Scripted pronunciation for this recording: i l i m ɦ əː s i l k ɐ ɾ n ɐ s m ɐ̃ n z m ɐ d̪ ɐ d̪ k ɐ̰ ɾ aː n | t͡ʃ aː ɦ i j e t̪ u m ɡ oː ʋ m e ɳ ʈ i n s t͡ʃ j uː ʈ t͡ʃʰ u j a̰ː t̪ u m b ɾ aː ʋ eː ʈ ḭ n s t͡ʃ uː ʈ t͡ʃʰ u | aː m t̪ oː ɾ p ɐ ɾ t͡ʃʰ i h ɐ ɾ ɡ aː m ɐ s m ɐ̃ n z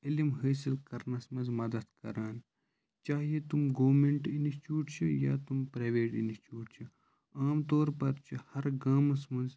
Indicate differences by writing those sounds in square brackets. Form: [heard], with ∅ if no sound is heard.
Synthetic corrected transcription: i l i m ɦ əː s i l k ɐ ɾ n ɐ s m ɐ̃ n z m ɐ d̪ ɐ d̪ k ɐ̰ ɾ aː n | t͡ʃ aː ɦ i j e t̪ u m ɡ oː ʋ m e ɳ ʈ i n s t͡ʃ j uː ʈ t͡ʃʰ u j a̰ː t̪ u m [p] ɾ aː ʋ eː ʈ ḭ n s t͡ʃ uː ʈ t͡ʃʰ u | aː m t̪ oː ɾ p ɐ ɾ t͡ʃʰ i h ɐ ɾ ɡ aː m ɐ s m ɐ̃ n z